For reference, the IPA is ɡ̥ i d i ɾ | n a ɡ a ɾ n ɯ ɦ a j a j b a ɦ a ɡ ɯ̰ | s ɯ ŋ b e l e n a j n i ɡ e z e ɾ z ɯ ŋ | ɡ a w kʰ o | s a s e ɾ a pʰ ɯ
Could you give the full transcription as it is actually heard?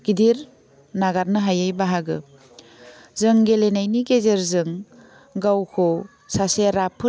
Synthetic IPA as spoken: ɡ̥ i d i ɾ | n a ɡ a ɾ n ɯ ɦ a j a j b a ɦ a ɡ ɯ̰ | z ɯ ŋ ɡ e l e n a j n i ɡ e z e ɾ z ɯ ŋ | ɡ a w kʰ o | s a s e ɾ a pʰ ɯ

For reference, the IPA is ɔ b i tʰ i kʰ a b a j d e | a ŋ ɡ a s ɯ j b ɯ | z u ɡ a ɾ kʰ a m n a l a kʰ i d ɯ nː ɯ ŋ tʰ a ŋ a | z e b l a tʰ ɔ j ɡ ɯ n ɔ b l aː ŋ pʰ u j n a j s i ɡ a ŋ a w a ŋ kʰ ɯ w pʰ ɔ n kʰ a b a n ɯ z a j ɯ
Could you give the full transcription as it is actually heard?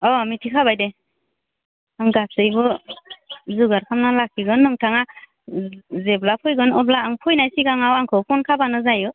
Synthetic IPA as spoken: ɔ m i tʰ i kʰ a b a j d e | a ŋ ɡ a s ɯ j b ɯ | z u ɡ a ɾ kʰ a m n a l a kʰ i ɡ ɯ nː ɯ ŋ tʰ a ŋ a | z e b l a pʰ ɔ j ɡ ɯ n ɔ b l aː ŋ pʰ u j n a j s i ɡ a ŋ a w a ŋ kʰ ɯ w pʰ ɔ n kʰ a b a n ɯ z a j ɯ

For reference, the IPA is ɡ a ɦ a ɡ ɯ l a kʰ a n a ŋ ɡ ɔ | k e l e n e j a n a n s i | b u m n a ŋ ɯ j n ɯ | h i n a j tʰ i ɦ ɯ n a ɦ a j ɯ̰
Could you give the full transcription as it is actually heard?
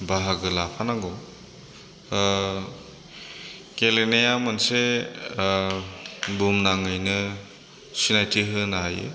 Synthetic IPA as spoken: b a ɦ a ɡ ɯ l a pʰ a n a ŋ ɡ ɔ | k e l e n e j a m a n s e | b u m n a ŋ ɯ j n ɯ | s i n a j tʰ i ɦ ɯ n a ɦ a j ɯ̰

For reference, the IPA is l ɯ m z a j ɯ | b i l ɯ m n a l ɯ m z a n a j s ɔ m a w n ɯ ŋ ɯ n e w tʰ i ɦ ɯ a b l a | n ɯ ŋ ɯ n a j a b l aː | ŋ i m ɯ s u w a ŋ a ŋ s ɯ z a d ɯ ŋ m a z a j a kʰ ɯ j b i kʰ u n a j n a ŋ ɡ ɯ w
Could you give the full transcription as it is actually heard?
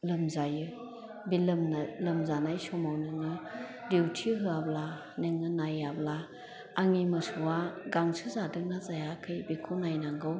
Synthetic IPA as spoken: l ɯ m z a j ɯ | b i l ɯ m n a l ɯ m z a n a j s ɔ m a w n ɯ ŋ ɯ d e w tʰ i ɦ ɯ a b l a | n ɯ ŋ ɯ n a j a b l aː | ŋ i m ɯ s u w a ɡ a ŋ s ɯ z a d ɯ ŋ n a z a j a kʰ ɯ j b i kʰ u n a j n a ŋ ɡ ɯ w

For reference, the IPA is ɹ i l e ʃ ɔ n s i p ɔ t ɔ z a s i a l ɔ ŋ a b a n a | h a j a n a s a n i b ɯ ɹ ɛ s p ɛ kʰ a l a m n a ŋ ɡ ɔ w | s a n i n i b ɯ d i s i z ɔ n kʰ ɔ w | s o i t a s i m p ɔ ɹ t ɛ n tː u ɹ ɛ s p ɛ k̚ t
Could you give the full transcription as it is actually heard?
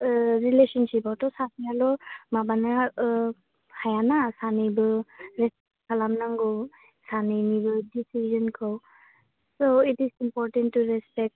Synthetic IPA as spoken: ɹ i l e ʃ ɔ n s i p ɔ t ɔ s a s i a l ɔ m a b a n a | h a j a n a s a n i b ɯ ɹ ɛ s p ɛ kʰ a l a m n a ŋ ɡ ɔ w | s a n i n i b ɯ d i s i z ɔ n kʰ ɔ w | s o i t i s i m p ɔ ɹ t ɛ n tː u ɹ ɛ s p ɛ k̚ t

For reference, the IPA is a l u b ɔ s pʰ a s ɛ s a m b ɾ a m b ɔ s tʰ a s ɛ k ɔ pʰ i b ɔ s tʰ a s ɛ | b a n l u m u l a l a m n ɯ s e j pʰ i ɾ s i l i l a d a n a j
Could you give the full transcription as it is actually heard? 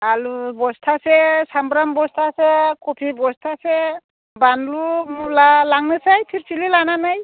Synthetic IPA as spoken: a l u b ɔ s tʰ a s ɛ s a m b ɾ a m b ɔ s tʰ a s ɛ k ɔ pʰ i b ɔ s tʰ a s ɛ | b a n l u m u l a l a ŋ n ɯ s a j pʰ i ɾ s i l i l a n a n a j

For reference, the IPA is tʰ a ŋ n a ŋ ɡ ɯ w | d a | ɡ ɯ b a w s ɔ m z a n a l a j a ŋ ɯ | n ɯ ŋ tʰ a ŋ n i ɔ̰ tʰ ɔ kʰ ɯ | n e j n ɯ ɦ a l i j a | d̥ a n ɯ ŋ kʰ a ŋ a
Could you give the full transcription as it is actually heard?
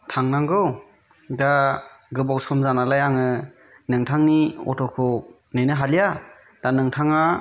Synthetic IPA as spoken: tʰ a ŋ n a ŋ ɡ ɯ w | d a | ɡ ɯ b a w s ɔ m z a n a l a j a ŋ ɯ | n ɯ ŋ tʰ a ŋ n i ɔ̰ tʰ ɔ kʰ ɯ | n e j n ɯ ɦ a l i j a | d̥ a n ɯ ŋ tʰ a ŋ a

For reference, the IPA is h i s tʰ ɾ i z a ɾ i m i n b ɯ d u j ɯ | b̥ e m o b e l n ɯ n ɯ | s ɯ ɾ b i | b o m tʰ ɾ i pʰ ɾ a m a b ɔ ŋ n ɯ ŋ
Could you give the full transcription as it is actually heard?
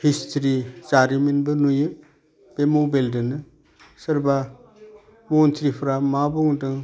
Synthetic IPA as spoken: h i s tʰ ɾ i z a ɾ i m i n b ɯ n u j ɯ | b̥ e m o b e l d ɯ n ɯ | s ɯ ɾ b a | m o n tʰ ɾ i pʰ ɾ a m a b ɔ ŋ d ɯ ŋ

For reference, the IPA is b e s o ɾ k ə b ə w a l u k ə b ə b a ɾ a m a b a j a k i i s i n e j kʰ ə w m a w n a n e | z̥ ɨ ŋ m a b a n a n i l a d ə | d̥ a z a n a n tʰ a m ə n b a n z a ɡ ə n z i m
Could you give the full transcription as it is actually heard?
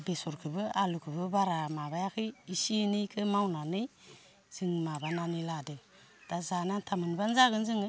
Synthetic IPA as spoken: b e s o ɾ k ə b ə a l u k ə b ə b a ɾ a m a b a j a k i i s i n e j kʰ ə m a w n a n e | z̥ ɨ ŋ m a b a n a n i l a d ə | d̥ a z a n a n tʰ a m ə n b a n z a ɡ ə n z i ŋ

